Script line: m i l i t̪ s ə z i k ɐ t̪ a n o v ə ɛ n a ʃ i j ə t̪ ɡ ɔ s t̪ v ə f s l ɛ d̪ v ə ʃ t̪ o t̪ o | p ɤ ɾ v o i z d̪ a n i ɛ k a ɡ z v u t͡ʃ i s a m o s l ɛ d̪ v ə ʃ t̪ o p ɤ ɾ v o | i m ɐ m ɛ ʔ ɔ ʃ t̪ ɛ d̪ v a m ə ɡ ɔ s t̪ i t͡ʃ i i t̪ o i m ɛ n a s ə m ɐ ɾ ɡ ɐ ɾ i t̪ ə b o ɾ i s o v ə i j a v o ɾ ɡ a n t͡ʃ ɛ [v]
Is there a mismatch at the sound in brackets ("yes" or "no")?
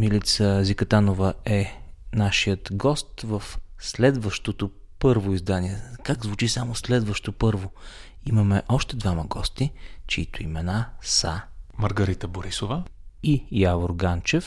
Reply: yes